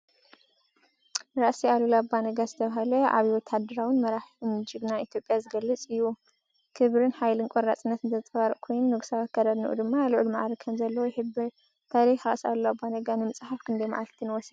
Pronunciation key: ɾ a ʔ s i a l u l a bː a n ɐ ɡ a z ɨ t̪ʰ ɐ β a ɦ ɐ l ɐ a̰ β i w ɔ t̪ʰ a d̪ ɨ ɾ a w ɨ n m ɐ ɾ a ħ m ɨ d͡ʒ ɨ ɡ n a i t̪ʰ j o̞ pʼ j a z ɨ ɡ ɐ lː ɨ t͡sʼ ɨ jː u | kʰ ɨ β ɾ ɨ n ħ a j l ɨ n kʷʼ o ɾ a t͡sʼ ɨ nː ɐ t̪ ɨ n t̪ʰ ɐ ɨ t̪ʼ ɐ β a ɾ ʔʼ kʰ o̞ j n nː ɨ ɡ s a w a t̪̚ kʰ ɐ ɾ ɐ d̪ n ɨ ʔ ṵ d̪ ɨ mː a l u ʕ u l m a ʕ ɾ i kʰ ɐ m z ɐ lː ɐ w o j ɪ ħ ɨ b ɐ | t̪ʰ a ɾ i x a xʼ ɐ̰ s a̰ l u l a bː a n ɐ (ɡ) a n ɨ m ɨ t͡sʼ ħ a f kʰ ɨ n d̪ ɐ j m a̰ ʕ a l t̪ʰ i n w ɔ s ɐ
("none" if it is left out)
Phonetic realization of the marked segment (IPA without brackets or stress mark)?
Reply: ɡ